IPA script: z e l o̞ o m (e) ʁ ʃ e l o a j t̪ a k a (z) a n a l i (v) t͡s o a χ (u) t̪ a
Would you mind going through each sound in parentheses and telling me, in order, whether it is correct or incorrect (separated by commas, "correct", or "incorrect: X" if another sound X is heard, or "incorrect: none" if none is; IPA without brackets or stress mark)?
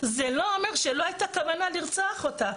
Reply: correct, incorrect: v, incorrect: ʁ, incorrect: o